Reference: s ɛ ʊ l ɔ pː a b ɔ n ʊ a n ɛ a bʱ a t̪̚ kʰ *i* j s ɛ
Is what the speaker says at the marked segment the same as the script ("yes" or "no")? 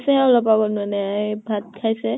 no